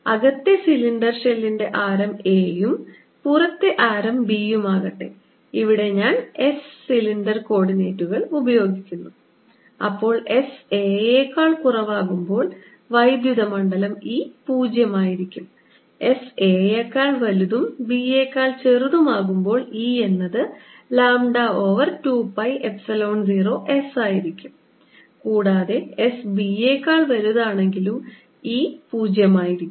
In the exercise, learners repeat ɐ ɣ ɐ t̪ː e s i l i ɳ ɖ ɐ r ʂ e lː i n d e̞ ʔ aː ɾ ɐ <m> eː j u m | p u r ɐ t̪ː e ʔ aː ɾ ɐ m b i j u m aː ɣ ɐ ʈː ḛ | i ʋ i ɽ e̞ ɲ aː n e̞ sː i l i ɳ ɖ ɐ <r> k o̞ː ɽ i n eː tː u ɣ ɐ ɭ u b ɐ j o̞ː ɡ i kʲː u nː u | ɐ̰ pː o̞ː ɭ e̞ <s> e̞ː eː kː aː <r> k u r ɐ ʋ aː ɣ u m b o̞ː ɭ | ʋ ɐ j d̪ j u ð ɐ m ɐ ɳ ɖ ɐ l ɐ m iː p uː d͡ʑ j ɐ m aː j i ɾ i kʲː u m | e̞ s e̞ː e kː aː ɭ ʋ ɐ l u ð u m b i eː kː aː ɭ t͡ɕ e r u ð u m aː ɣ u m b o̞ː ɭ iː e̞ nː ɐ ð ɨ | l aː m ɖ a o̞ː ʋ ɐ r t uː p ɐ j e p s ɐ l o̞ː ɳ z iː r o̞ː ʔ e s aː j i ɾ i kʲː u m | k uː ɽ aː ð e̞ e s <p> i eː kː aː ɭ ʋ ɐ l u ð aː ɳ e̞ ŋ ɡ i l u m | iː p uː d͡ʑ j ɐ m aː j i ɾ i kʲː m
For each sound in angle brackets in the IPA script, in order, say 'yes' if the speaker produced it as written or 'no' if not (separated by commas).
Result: yes, yes, yes, no, no